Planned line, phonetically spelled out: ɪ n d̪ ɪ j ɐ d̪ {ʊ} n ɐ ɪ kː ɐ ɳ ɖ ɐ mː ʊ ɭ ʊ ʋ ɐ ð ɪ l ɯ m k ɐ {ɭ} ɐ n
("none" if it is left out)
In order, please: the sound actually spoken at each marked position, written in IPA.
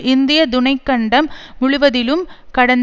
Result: ʊ, ɽ

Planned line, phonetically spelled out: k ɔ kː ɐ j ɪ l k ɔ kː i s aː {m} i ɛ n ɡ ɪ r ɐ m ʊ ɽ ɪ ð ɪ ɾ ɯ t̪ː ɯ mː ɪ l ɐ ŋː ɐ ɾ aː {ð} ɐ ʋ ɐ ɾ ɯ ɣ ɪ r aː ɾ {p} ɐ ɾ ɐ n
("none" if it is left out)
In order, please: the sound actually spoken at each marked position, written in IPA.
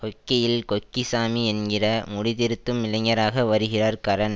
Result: m, ɣ, k

